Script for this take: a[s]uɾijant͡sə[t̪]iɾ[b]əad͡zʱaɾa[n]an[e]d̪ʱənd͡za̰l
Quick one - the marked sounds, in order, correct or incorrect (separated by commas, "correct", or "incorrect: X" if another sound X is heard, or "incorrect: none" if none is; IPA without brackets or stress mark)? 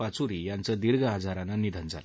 incorrect: t͡s, incorrect: d̪, incorrect: ɡ, correct, incorrect: i